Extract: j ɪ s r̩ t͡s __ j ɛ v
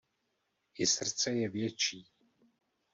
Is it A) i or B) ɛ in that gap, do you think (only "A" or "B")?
B